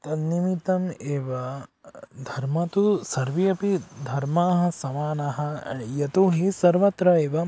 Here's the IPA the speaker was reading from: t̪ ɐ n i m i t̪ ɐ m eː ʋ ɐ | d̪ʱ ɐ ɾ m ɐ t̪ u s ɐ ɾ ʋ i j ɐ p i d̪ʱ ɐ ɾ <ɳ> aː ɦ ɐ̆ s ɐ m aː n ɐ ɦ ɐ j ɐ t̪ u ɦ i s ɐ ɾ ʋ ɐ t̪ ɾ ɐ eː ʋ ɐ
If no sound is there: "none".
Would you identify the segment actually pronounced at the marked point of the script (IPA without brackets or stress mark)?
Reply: m